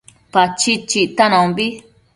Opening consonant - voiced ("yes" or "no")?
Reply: no